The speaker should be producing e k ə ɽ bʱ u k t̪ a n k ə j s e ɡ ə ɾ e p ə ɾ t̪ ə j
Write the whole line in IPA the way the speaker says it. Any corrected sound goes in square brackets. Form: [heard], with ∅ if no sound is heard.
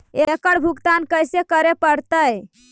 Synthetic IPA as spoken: e k ə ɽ bʱ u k t̪ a n k ə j s e [k] ə ɾ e p ə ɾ t̪ ə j